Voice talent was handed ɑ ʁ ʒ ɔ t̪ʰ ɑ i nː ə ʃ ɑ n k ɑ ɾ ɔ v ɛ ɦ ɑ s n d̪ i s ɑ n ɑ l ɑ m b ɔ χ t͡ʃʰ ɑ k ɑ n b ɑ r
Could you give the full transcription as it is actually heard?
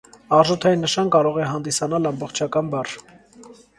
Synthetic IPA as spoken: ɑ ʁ ʒ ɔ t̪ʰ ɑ i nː ə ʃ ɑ n k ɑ ɾ ɔ ʁ ɛ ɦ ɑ n d̪ i s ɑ n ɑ l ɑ m b ɔ χ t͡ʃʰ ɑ k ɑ n b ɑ r